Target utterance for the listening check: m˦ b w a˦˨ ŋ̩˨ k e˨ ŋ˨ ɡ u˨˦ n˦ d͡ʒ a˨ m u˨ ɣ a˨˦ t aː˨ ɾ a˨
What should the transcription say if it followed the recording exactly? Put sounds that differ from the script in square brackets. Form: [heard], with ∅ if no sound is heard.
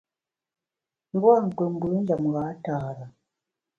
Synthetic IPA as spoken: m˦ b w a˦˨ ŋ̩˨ k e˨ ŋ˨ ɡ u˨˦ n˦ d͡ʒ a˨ m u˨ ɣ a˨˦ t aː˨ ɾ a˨